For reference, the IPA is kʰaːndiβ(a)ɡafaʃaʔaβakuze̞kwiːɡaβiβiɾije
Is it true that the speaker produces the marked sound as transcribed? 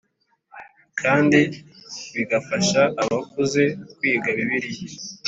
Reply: no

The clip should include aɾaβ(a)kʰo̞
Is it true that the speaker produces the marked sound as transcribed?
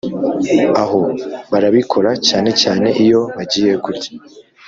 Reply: no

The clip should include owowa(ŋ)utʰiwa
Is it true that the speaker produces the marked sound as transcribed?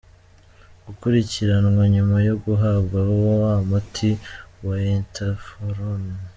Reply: no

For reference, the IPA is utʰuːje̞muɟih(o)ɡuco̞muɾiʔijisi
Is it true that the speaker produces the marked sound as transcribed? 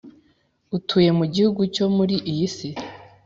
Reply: no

